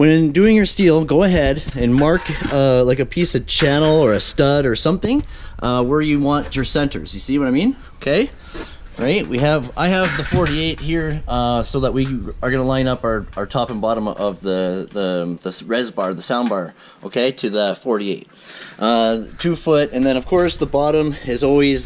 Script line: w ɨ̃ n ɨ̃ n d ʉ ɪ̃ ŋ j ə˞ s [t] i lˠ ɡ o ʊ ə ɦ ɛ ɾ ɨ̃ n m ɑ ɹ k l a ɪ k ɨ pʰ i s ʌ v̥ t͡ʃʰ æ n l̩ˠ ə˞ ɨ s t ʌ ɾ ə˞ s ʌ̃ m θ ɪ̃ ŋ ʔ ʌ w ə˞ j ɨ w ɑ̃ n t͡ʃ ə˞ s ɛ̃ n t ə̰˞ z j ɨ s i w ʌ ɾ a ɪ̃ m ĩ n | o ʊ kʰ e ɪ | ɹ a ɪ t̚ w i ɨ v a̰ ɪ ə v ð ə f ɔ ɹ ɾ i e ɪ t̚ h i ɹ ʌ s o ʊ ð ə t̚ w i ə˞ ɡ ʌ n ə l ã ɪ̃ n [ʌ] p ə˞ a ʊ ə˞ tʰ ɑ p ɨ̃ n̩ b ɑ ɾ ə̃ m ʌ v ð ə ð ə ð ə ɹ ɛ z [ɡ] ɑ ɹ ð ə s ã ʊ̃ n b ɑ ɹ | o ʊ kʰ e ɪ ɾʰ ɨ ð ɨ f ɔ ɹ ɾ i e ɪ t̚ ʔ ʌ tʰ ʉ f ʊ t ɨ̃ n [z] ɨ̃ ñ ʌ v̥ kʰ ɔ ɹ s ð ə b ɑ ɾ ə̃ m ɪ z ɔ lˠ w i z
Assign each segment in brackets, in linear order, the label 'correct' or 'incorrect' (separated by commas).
correct, correct, incorrect, incorrect